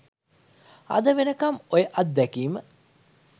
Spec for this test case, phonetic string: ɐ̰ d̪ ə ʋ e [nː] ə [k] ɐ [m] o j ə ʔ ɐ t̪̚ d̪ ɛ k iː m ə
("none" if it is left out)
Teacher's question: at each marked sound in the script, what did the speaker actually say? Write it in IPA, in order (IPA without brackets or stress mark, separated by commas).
n, k, m